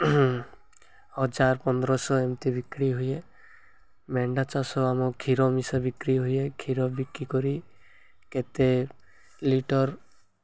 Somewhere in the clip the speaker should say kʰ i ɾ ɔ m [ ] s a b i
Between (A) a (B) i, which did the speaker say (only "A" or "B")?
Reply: B